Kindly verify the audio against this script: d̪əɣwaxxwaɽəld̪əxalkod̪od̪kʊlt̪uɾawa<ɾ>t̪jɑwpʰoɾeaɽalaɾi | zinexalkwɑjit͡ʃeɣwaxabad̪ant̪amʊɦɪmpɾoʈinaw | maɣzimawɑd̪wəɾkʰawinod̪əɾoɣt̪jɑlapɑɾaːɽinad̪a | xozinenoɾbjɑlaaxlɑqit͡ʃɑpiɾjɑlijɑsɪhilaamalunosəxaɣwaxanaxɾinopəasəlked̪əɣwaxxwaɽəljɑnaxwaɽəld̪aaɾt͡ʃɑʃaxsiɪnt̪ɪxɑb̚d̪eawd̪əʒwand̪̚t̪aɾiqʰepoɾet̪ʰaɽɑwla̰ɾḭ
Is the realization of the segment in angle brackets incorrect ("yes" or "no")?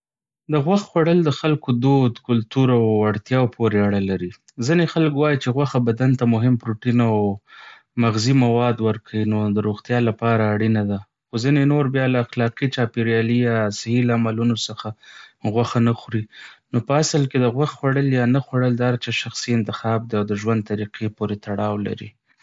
yes